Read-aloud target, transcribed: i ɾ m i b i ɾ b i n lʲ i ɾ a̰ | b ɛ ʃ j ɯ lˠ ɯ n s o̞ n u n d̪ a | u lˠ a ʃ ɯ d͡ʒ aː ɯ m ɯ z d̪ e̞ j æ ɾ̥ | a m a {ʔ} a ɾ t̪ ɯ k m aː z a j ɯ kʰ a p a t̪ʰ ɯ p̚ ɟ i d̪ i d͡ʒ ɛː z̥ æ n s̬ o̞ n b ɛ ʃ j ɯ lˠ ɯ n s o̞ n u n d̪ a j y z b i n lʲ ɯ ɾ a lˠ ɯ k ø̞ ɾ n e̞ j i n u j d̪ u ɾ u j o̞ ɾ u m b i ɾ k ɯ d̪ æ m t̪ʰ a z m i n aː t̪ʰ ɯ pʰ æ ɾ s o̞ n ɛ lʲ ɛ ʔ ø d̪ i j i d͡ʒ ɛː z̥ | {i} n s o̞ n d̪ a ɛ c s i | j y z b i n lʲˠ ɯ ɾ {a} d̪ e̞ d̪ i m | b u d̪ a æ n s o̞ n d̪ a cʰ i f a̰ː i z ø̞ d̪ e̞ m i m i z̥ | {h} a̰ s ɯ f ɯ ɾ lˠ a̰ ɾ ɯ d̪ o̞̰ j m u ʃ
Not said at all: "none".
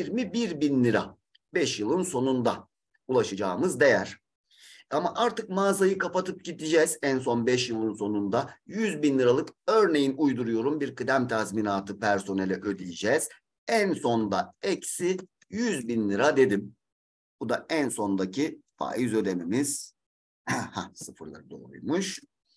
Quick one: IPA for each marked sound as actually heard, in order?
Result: ʔ, æ, a, h

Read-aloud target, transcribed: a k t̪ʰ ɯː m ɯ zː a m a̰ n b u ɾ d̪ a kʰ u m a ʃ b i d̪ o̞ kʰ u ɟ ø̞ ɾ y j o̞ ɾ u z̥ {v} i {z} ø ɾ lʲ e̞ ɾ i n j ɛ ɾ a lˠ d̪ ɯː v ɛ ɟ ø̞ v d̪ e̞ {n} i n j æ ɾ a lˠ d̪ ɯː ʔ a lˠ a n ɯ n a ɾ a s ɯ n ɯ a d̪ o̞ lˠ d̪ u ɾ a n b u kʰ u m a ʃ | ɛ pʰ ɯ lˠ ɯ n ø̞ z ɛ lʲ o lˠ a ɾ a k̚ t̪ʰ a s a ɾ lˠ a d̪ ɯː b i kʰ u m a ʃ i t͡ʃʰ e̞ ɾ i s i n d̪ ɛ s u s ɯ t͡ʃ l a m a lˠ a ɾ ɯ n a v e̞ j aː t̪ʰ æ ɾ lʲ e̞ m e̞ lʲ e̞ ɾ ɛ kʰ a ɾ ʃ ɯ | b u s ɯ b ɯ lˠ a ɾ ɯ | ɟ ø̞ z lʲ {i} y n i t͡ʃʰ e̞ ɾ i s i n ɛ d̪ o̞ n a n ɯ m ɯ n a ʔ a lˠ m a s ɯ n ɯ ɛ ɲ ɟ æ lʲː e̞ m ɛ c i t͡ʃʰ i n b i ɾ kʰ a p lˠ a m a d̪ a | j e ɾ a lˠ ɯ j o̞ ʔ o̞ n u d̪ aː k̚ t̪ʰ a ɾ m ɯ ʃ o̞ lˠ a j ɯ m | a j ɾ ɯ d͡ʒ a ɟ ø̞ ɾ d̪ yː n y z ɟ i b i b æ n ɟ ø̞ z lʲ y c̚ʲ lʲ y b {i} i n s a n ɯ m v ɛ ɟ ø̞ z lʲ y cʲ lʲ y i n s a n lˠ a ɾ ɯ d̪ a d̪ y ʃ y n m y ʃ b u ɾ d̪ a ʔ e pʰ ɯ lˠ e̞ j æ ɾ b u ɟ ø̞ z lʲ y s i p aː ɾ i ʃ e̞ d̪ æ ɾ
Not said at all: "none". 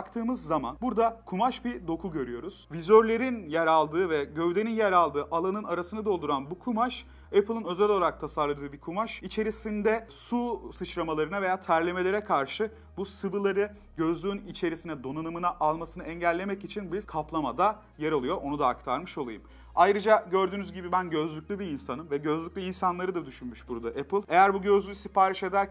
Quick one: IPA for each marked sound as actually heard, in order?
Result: v, z, n, y, i

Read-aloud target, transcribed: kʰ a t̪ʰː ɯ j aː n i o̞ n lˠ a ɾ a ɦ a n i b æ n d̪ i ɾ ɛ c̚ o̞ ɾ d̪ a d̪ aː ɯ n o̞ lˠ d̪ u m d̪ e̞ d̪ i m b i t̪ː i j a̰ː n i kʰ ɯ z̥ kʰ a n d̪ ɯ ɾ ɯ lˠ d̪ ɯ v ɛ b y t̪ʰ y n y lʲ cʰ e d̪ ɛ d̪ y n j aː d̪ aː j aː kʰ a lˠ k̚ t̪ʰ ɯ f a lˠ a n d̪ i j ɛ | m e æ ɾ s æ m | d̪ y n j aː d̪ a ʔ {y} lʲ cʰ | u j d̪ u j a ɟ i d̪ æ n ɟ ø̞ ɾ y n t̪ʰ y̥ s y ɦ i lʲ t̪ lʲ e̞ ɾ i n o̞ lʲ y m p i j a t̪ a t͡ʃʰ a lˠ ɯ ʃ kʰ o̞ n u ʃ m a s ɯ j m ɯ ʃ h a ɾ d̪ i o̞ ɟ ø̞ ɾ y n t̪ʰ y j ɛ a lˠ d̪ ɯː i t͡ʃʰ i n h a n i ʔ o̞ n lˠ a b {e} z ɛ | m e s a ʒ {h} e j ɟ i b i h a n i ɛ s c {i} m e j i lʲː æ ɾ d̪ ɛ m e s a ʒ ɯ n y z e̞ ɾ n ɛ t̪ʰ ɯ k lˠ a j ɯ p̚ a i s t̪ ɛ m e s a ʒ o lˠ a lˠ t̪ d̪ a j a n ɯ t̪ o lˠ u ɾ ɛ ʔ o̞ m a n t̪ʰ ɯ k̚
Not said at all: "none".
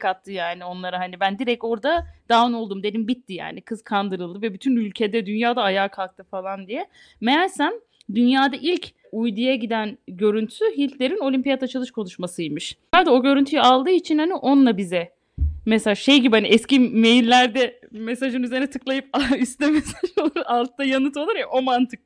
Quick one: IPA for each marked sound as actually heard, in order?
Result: i, i, ʃ, i

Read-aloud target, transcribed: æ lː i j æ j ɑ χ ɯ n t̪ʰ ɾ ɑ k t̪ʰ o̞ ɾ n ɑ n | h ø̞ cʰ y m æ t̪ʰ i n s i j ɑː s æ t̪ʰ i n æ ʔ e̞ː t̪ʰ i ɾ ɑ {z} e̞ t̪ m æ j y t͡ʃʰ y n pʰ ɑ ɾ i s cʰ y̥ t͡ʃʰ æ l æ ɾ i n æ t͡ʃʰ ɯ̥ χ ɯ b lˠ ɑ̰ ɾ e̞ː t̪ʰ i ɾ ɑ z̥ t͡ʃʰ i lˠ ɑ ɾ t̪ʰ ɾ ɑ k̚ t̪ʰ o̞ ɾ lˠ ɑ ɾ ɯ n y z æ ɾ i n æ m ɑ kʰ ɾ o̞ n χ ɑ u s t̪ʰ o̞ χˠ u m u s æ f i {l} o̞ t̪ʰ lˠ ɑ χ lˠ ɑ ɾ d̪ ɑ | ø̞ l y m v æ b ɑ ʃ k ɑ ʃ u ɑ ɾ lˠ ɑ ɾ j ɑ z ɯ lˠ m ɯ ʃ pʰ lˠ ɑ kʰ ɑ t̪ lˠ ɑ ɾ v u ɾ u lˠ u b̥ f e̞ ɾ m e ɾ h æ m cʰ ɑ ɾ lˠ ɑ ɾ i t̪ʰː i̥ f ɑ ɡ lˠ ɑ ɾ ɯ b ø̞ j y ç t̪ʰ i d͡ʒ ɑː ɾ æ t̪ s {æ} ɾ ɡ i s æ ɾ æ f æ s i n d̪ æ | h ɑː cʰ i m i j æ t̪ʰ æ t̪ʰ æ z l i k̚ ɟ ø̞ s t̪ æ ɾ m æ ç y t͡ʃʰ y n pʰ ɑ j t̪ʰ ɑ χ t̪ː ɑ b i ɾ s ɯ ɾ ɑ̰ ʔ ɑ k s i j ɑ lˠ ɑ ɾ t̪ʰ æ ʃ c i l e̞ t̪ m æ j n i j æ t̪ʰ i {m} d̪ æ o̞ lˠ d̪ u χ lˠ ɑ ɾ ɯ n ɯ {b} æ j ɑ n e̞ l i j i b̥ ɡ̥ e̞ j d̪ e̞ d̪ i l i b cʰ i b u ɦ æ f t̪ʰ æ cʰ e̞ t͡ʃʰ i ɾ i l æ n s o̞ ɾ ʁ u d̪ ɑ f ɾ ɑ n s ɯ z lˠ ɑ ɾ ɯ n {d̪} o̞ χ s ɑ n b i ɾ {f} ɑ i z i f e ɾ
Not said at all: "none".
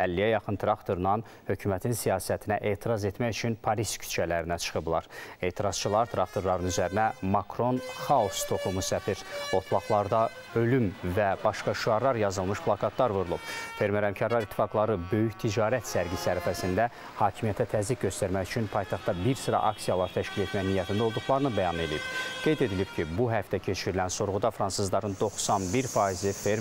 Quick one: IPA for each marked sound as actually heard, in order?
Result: z, ɾ, æ, n, b, d̪, f

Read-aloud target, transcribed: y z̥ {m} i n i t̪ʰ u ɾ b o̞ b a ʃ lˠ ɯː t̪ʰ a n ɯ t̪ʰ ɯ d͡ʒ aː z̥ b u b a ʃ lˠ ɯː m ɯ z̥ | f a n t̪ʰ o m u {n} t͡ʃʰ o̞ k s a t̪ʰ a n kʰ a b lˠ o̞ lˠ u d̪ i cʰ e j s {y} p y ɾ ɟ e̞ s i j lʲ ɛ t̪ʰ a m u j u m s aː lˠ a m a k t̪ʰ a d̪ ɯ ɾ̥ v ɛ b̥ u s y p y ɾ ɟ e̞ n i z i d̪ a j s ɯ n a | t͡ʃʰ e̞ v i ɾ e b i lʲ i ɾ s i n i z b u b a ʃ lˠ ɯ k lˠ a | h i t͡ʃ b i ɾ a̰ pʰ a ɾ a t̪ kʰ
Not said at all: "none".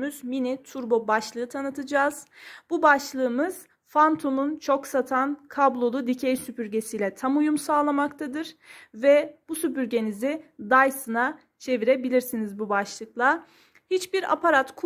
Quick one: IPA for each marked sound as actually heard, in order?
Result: m, n, y

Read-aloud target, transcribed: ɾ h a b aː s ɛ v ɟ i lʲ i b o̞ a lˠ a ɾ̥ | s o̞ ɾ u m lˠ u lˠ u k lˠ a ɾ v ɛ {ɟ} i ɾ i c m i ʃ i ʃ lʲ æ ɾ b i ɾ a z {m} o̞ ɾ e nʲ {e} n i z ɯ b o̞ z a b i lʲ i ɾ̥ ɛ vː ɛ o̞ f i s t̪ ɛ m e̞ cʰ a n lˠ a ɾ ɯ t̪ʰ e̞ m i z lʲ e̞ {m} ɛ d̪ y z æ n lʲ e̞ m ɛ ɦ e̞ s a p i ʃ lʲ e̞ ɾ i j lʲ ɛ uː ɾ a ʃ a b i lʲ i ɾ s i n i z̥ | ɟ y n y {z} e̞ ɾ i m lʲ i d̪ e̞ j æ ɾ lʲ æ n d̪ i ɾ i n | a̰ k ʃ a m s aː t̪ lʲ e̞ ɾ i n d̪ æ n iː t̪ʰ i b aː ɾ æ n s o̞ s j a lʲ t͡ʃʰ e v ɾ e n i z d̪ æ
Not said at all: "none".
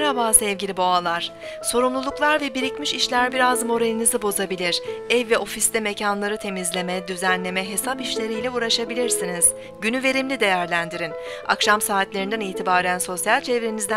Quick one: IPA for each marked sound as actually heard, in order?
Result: b, m, i, m, v

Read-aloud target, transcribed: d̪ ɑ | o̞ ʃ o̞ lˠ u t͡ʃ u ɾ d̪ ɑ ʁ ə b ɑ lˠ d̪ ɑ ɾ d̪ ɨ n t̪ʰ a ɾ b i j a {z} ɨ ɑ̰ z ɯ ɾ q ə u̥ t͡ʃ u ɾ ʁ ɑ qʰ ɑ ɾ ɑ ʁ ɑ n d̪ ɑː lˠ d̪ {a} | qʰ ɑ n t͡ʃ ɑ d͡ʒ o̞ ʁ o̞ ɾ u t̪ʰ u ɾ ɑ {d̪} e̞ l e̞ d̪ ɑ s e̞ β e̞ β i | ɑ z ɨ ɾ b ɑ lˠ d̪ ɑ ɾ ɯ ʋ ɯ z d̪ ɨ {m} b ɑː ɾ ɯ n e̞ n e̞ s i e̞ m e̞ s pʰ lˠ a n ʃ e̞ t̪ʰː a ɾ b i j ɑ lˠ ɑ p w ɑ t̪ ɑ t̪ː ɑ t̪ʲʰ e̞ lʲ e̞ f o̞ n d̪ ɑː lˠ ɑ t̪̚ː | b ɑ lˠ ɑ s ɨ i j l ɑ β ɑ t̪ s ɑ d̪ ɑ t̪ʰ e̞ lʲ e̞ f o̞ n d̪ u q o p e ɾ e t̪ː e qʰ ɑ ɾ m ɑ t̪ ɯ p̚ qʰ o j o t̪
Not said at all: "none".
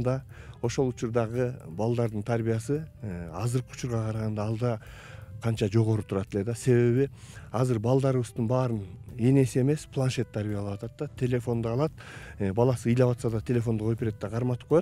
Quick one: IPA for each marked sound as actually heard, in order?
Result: s, ɑ, t̪, n

